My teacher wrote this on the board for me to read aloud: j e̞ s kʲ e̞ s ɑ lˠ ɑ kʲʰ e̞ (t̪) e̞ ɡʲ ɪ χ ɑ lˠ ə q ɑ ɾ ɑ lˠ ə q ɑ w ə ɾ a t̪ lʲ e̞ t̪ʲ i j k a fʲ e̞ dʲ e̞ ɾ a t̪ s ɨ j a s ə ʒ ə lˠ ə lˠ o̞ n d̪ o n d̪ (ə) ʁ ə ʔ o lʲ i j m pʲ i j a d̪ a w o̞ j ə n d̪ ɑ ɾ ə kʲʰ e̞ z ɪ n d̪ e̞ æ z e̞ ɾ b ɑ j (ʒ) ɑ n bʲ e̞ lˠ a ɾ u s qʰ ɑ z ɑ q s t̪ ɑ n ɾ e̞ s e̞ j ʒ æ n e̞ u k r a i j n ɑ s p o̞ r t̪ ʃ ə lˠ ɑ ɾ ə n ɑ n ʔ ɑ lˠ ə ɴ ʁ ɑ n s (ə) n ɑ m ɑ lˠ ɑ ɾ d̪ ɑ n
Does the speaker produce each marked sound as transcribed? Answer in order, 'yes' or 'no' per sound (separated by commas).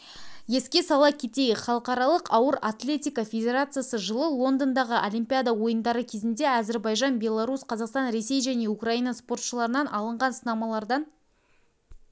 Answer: yes, no, yes, yes